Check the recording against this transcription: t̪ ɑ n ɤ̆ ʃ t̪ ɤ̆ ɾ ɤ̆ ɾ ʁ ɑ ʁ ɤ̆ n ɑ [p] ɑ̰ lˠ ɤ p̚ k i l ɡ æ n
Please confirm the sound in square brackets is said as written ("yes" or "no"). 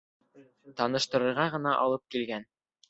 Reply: no